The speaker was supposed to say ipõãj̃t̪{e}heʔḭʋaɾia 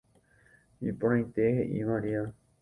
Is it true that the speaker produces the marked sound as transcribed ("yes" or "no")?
yes